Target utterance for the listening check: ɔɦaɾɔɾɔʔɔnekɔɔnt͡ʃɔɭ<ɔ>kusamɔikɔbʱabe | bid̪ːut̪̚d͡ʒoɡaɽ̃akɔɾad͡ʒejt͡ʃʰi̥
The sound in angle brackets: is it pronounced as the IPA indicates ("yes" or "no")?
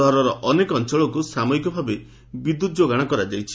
yes